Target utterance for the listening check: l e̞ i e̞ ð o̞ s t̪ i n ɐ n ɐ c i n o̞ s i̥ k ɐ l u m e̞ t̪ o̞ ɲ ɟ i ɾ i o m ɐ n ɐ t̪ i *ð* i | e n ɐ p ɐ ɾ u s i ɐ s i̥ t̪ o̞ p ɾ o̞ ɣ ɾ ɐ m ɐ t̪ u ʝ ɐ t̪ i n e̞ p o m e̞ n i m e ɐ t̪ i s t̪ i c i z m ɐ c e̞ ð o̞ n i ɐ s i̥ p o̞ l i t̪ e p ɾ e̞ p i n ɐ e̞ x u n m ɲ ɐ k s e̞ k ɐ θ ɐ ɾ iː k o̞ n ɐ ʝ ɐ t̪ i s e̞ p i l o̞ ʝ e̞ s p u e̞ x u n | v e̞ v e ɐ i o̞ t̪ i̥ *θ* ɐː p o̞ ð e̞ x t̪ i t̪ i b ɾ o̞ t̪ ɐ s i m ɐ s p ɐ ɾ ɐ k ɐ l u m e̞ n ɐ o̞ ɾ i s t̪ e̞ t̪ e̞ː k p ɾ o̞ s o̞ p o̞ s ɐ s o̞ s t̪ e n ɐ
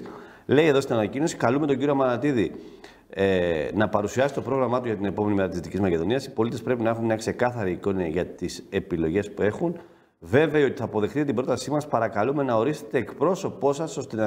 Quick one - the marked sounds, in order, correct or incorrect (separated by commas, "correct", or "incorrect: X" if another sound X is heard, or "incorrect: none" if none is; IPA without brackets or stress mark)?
correct, correct